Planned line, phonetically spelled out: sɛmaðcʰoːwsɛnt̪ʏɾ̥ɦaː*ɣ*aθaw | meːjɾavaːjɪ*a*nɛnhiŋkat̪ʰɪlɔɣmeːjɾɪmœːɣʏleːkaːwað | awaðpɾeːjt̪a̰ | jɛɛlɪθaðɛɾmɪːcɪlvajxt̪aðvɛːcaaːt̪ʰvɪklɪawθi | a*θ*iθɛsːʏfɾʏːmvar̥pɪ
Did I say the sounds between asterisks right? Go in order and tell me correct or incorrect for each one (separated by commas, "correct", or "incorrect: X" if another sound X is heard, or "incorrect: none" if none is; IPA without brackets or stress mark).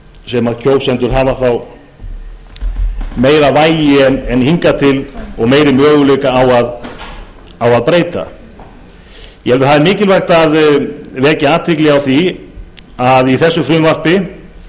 incorrect: v, incorrect: ɛ, incorrect: ð